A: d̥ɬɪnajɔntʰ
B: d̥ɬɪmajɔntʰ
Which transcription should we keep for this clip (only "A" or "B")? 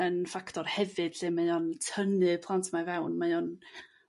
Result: B